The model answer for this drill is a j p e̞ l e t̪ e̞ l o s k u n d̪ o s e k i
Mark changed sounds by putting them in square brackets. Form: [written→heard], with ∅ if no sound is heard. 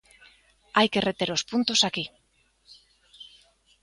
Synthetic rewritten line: a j [p→k] e̞ [l→r] e t̪ e̞ [l→ɾ] o s [k→p] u n [d̪→t̪] o s [e→a] k i